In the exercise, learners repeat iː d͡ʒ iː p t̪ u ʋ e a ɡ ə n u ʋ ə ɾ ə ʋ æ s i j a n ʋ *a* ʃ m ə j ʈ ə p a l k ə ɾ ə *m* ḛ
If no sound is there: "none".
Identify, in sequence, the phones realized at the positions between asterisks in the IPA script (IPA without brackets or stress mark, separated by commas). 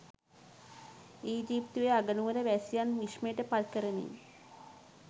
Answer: i, n